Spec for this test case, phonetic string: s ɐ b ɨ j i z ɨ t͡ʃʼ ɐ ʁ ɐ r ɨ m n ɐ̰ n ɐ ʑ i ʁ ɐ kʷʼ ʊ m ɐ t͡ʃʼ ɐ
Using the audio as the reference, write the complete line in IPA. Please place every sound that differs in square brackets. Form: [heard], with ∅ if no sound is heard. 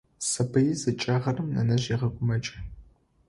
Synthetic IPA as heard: s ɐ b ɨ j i z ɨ t͡ʃʼ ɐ ʁ ɐ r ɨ m n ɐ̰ n ɐ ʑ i ʁ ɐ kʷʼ ʊ m ɐ t͡ʃʼ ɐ